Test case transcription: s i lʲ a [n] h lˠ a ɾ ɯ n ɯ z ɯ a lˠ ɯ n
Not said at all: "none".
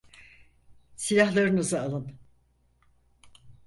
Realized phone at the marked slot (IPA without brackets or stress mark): none